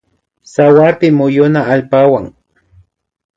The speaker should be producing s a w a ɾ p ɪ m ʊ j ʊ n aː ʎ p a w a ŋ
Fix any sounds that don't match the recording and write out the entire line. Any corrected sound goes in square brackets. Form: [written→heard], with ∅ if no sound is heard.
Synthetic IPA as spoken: s a w a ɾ p ɪ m ʊ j ʊ n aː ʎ p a w a ŋ